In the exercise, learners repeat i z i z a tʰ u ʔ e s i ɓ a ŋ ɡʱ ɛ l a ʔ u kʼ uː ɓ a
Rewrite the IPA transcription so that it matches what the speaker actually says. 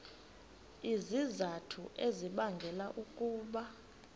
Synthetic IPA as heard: i z i z a tʰ u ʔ e z i ɓ a ŋ ɡʱ ɛ l a ʔ u kʼ uː ɓ a